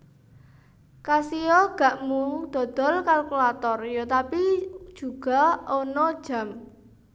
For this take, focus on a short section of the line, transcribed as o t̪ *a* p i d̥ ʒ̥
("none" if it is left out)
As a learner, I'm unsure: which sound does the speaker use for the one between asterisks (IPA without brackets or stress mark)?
a